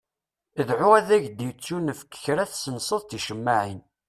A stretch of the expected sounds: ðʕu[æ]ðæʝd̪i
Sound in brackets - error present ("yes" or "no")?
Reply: no